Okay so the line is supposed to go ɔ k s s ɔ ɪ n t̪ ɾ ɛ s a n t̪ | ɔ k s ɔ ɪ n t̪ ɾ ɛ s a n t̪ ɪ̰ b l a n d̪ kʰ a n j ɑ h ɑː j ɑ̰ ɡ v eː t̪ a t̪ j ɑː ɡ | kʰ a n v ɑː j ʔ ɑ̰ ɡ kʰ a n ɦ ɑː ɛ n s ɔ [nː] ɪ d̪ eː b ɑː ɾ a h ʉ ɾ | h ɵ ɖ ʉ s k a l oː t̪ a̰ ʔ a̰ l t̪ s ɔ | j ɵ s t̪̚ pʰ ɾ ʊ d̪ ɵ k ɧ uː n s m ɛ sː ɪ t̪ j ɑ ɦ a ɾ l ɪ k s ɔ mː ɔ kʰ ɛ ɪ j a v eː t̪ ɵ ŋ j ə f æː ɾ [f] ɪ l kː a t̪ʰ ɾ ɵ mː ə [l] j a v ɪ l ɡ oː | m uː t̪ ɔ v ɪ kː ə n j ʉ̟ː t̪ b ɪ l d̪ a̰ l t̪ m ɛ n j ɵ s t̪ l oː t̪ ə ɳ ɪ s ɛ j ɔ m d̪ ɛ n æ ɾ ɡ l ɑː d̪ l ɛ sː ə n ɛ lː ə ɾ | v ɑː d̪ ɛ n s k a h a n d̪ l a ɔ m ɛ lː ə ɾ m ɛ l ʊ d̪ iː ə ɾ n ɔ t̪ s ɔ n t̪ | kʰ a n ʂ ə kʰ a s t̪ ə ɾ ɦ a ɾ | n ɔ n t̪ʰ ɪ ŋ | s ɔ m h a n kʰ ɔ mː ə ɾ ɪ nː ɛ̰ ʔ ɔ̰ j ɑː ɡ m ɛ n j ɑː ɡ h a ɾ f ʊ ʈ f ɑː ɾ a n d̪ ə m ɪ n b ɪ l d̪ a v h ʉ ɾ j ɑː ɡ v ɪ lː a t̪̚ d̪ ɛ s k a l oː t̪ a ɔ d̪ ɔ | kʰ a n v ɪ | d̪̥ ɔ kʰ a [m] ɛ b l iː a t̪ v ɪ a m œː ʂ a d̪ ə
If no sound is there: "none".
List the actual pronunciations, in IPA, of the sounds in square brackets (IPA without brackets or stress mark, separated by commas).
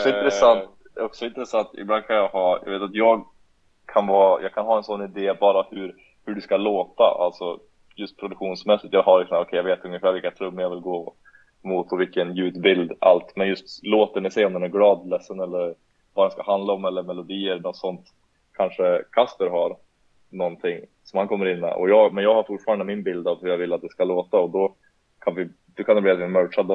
nː, v, ɾ, n